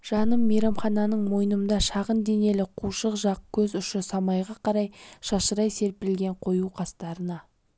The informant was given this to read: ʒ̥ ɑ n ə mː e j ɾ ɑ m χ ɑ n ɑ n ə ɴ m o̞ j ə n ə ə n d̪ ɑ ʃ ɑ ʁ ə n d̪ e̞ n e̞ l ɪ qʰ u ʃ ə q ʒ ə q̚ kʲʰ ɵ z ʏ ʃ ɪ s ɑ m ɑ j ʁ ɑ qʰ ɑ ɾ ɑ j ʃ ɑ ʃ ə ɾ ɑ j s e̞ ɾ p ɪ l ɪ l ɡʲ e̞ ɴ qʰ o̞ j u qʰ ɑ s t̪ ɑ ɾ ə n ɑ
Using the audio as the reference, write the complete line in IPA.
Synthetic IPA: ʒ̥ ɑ n ə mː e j ɾ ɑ m χ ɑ n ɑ n ə ɴ m o̞ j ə n ə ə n d̪ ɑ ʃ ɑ ʁ ə n d̪ e̞ n e̞ l ɪ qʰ u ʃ ə q ʒ ɑ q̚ kʲʰ ɵ z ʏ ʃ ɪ s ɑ m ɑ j ʁ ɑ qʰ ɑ ɾ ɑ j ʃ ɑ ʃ ə ɾ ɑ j s e̞ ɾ p ɪ ɾ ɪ l ɡʲ e̞ ɴ qʰ o̞ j u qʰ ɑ s t̪ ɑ ɾ ə n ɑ